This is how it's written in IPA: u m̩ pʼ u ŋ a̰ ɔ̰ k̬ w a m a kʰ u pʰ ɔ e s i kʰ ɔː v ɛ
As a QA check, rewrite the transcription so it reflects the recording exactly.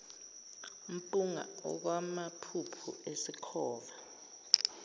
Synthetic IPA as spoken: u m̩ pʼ u ŋ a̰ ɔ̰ k̬ w a m a pʰ u pʰ u e s i kʰ ɔː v a